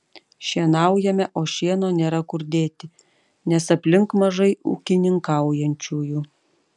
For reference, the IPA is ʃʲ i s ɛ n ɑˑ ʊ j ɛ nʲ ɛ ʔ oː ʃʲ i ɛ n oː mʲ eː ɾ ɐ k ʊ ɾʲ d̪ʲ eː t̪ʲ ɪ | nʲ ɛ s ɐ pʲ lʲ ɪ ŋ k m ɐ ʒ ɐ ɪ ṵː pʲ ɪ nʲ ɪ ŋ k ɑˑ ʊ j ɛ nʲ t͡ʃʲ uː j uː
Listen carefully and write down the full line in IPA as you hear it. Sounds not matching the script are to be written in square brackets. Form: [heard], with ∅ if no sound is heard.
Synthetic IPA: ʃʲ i [∅] ɛ n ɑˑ ʊ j ɛ [mʲ] ɛ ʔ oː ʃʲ i ɛ n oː [nʲ] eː ɾ ɐ k ʊ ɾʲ d̪ʲ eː t̪ʲ ɪ | nʲ ɛ s ɐ pʲ lʲ ɪ ŋ k m ɐ ʒ ɐ ɪ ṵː [kʲ] ɪ nʲ ɪ ŋ k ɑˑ ʊ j ɛ nʲ t͡ʃʲ uː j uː

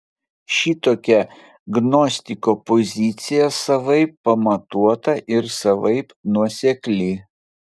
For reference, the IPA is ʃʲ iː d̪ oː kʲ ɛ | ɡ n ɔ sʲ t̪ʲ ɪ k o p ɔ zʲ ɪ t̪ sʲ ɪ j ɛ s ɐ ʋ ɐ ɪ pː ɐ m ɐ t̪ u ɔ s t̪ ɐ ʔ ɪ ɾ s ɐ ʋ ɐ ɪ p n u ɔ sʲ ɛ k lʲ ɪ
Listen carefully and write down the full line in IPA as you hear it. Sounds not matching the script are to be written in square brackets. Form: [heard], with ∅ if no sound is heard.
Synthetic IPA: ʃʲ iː [t̪] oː kʲ ɛ | ɡ n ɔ sʲ t̪ʲ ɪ k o p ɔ zʲ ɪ t̪ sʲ ɪ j ɛ s ɐ ʋ ɐ ɪ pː ɐ m ɐ t̪ u ɔ [∅] t̪ ɐ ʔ ɪ ɾ s ɐ ʋ ɐ ɪ p n u ɔ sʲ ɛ k lʲ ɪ

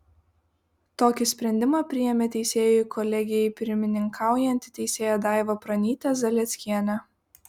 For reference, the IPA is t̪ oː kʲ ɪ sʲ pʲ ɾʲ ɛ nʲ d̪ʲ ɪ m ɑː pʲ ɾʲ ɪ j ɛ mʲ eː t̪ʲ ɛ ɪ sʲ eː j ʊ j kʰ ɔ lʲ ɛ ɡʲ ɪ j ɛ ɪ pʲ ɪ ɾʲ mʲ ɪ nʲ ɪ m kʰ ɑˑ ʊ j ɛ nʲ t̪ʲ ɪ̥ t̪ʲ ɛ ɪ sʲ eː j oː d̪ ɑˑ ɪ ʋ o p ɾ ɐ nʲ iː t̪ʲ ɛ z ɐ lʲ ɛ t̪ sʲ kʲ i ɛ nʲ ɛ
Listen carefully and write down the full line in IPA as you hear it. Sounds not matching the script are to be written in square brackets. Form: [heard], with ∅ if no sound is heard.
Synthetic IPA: t̪ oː kʲ ɪ sʲ pʲ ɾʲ ɛ nʲ d̪ʲ ɪ m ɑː pʲ ɾʲ ɪ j ɛ mʲ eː t̪ʲ ɛ ɪ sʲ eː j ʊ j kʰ ɔ lʲ ɛ ɡʲ ɪ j ɛ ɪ pʲ ɪ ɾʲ mʲ ɪ nʲ ɪ [ŋ] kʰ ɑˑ ʊ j ɛ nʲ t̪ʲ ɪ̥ t̪ʲ ɛ ɪ sʲ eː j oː d̪ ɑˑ ɪ ʋ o p ɾ ɐ nʲ iː t̪ʲ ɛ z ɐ lʲ ɛ t̪ sʲ kʲ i ɛ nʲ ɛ

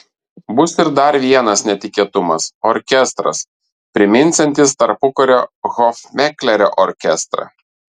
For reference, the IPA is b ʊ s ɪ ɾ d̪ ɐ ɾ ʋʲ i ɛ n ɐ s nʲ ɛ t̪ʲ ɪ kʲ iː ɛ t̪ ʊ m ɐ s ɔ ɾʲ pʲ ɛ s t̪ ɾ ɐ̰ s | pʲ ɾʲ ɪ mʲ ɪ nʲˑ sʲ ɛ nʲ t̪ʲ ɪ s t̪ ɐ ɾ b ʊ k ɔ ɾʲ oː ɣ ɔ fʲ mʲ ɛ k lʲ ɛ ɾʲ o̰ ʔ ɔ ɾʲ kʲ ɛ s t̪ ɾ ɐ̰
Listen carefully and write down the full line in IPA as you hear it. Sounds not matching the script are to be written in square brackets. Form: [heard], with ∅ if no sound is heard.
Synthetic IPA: b ʊ s ɪ ɾ d̪ ɐ ɾ ʋʲ i ɛ n ɐ s nʲ ɛ t̪ʲ ɪ kʲ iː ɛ t̪ ʊ m ɐ s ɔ ɾʲ [kʲ] ɛ s t̪ ɾ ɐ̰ s | pʲ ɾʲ ɪ mʲ ɪ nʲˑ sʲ ɛ nʲ t̪ʲ ɪ s t̪ ɐ ɾ [p] ʊ k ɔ ɾʲ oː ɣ ɔ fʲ mʲ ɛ k lʲ ɛ ɾʲ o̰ ʔ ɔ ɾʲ kʲ ɛ s t̪ ɾ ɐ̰

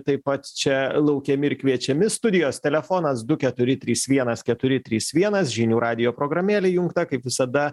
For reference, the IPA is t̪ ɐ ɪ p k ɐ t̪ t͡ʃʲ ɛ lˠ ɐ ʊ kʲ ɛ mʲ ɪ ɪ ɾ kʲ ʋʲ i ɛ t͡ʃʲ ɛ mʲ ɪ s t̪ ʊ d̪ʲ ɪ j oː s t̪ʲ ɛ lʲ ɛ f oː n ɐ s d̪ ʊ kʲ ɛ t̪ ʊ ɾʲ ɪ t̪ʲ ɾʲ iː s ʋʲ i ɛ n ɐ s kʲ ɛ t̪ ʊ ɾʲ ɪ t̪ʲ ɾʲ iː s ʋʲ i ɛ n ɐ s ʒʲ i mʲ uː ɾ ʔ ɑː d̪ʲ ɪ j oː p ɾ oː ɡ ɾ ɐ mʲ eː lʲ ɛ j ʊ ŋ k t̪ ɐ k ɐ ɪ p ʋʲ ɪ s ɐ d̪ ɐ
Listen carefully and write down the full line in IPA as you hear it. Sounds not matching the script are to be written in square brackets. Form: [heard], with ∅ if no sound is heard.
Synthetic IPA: t̪ ɐ ɪ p [p] ɐ t̪ t͡ʃʲ ɛ lˠ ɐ ʊ kʲ ɛ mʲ ɪ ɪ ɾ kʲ ʋʲ i ɛ t͡ʃʲ ɛ mʲ ɪ s t̪ ʊ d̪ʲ ɪ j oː s t̪ʲ ɛ lʲ ɛ f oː n ɐ s d̪ ʊ kʲ ɛ t̪ ʊ ɾʲ ɪ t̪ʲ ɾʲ iː s ʋʲ i ɛ n ɐ s kʲ ɛ t̪ ʊ ɾʲ ɪ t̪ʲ ɾʲ iː s ʋʲ i ɛ n ɐ s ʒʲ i [nʲ] uː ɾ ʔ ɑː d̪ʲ ɪ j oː p ɾ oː ɡ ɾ ɐ mʲ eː lʲ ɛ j ʊ ŋ k t̪ ɐ k ɐ ɪ p ʋʲ ɪ s ɐ d̪ ɐ

